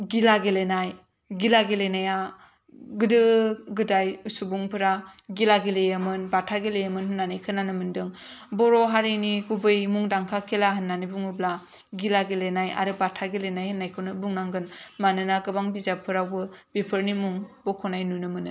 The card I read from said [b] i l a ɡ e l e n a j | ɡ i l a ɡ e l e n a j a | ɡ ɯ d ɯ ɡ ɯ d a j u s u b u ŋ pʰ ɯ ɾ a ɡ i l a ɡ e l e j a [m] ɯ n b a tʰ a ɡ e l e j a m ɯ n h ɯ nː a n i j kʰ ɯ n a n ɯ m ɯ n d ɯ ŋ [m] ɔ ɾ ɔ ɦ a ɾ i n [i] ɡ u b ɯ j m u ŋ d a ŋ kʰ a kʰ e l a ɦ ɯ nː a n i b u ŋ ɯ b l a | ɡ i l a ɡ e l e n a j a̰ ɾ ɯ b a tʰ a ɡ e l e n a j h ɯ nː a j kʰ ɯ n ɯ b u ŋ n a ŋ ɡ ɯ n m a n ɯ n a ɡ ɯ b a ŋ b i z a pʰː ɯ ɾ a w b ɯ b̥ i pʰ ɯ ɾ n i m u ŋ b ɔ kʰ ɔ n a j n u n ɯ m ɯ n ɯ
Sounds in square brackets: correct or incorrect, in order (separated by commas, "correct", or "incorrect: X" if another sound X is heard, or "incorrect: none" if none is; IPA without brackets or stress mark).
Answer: incorrect: ɡ, correct, incorrect: b, correct